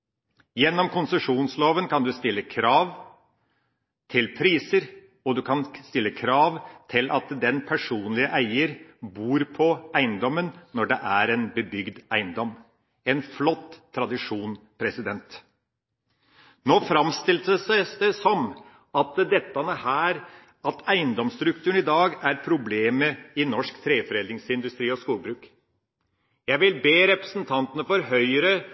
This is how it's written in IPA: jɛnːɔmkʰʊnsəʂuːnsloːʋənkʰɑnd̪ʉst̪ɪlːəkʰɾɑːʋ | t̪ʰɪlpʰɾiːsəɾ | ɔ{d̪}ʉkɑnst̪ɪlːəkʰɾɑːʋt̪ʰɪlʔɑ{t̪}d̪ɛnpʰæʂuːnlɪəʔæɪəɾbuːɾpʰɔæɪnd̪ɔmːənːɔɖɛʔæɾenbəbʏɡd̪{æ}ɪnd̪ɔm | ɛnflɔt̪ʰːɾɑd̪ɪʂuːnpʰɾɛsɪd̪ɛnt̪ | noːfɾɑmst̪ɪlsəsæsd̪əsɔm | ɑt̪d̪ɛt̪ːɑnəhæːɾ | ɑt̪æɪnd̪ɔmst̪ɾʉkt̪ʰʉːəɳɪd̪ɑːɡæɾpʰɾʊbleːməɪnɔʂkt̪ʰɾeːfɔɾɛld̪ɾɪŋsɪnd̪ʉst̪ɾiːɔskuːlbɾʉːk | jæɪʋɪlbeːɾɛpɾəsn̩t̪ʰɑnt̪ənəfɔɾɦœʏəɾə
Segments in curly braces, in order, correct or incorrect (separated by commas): correct, correct, correct